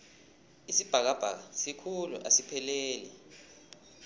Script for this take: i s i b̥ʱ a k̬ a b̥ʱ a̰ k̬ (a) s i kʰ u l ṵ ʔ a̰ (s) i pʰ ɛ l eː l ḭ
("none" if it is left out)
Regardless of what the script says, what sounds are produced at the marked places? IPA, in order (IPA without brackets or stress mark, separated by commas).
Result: a, s